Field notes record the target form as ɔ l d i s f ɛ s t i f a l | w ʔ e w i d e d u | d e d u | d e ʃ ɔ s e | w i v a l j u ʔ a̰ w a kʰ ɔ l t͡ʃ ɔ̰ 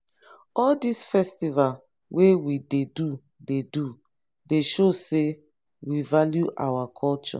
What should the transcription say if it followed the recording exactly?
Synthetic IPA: ɔ l d i s f ɛ s t i v a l | w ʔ e w i d e d u | d e d u | d e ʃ o s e | w i v a l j u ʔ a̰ w a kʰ ɔ l t͡ʃ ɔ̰